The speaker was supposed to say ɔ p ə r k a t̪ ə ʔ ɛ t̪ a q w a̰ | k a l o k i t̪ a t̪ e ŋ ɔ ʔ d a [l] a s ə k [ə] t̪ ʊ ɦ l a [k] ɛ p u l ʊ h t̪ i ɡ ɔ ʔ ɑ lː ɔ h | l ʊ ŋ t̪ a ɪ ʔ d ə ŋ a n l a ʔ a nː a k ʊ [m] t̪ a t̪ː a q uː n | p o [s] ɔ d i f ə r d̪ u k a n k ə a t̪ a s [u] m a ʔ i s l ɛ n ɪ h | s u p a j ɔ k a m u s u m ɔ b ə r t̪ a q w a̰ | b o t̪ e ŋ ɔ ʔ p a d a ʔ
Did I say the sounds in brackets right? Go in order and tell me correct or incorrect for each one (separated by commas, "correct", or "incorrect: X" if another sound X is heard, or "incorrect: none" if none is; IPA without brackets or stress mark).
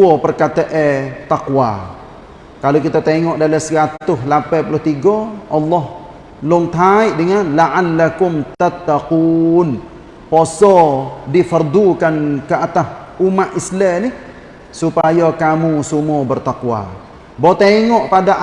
correct, incorrect: a, incorrect: p, correct, correct, correct